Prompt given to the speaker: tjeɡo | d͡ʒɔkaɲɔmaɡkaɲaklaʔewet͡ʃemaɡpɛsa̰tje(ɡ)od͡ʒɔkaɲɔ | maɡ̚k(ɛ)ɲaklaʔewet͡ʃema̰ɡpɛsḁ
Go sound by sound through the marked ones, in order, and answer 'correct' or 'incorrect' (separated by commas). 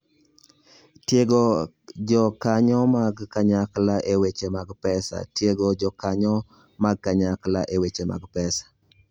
correct, incorrect